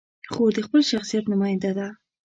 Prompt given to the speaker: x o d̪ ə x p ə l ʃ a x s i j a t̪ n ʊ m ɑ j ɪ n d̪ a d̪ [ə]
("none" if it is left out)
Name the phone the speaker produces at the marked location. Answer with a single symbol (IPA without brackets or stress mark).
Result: a